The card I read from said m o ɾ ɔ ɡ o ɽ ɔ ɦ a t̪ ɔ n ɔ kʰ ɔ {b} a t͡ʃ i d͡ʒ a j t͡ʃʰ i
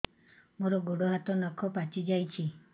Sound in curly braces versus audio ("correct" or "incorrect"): incorrect